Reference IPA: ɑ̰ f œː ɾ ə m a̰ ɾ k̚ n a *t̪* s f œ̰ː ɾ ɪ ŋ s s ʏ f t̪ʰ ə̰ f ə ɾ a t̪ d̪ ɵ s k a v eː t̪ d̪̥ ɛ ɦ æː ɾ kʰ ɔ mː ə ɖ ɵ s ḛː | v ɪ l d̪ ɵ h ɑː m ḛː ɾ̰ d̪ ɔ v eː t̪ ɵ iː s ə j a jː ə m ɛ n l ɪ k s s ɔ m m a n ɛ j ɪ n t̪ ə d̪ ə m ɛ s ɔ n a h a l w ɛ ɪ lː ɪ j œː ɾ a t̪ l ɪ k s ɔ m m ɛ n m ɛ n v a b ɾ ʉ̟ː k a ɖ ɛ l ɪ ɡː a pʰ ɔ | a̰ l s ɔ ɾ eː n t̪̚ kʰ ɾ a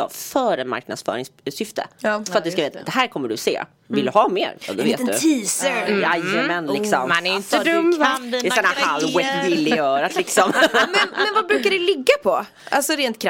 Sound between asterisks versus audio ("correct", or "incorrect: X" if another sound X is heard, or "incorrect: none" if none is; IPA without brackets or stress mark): incorrect: d̪